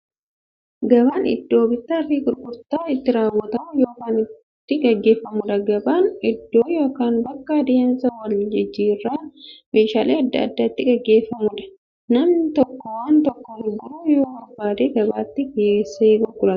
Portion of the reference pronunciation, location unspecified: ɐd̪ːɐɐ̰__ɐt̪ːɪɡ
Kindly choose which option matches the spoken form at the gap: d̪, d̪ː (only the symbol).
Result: d̪ː